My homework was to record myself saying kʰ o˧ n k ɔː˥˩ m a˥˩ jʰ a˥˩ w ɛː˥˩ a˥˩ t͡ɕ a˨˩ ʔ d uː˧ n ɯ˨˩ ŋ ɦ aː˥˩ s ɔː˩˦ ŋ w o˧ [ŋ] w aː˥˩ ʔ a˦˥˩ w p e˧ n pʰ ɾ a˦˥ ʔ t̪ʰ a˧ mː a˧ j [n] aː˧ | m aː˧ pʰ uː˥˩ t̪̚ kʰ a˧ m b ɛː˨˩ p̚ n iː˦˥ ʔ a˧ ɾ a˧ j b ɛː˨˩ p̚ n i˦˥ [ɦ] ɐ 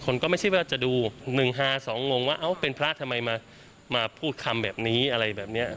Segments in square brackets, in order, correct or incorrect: correct, incorrect: m, incorrect: none

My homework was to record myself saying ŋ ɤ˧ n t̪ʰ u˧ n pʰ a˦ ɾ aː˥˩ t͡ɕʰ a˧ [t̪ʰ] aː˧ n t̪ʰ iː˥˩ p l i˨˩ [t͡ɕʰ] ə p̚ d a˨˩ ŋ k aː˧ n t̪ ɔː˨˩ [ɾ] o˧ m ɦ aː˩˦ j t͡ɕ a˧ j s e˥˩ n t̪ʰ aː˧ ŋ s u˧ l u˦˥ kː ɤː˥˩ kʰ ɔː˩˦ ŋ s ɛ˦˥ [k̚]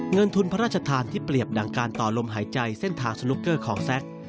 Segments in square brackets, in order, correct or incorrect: correct, incorrect: none, incorrect: l, correct

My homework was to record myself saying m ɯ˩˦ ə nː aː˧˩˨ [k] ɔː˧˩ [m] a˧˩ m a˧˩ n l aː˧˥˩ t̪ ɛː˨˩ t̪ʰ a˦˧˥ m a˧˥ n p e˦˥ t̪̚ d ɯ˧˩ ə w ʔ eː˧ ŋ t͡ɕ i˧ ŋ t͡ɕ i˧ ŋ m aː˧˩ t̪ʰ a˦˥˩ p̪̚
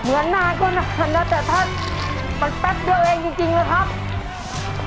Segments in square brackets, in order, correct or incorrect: correct, incorrect: n

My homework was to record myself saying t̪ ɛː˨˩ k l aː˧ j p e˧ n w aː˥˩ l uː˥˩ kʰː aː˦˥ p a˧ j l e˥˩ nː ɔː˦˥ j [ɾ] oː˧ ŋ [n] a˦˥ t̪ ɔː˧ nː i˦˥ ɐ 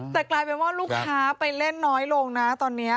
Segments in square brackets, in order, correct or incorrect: incorrect: l, correct

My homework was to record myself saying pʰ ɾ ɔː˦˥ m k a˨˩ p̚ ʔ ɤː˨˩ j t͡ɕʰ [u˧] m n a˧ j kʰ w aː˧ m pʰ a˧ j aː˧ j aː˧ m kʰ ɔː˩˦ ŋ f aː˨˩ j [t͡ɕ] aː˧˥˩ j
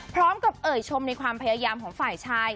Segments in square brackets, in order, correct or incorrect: incorrect: o˧, incorrect: t͡ɕʰ

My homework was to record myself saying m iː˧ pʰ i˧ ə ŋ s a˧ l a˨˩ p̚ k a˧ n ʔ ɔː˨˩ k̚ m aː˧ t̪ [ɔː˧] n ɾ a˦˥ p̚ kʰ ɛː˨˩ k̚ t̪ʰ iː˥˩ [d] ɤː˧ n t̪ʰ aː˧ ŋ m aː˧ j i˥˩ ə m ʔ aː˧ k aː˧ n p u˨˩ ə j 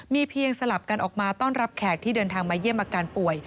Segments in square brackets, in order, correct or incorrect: incorrect: ɔː˥˩, correct

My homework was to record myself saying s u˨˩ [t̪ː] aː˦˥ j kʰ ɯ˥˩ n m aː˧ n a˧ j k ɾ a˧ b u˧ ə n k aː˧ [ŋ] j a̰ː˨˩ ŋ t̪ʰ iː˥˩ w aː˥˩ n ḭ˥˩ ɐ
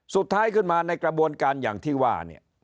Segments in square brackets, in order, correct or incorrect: incorrect: t̪ʰː, incorrect: n

